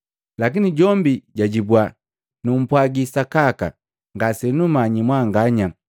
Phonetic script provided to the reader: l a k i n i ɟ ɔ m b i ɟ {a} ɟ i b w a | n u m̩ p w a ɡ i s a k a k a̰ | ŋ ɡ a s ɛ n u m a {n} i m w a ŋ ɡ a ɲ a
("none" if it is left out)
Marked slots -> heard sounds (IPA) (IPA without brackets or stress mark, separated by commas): a, ɲ